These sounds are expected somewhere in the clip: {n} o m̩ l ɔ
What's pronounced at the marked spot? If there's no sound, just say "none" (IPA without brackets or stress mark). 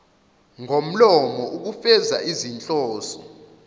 ŋ